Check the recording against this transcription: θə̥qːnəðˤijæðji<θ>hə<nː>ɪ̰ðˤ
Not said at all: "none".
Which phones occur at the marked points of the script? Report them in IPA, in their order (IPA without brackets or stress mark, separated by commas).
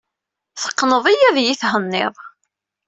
θ, nː